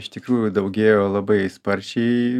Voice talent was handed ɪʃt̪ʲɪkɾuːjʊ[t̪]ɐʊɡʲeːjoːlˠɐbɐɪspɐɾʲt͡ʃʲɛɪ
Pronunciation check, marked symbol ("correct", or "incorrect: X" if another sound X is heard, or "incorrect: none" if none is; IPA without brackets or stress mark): incorrect: d̪